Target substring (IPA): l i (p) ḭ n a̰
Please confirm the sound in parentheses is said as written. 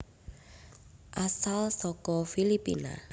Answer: yes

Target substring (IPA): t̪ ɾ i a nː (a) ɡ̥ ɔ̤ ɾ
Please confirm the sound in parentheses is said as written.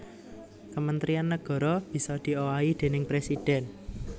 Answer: no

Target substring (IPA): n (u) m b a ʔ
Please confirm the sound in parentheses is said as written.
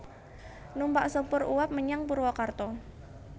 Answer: yes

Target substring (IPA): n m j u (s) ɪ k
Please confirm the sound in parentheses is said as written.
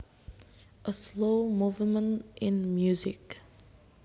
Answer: no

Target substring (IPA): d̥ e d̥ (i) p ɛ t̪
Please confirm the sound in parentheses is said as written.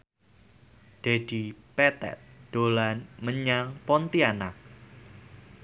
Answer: yes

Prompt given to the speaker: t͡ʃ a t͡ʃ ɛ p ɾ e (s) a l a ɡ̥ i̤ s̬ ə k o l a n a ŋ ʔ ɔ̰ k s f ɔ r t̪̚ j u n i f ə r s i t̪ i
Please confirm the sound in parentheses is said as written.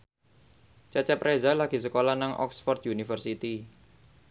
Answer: no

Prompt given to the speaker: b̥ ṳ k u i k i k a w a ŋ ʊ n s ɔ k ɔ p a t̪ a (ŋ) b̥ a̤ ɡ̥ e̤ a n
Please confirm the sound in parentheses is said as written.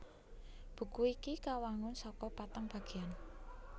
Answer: yes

